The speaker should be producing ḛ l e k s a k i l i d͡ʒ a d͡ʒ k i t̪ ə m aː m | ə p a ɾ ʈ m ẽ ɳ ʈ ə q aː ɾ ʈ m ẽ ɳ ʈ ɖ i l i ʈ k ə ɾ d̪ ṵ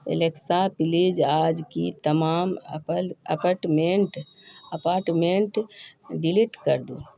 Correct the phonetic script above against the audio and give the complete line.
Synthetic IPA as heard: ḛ l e k s a p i l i d͡ʒ a d͡ʒ k i t̪ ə m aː m | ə p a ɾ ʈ m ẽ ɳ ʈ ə p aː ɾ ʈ m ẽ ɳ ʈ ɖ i l i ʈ k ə ɾ d̪ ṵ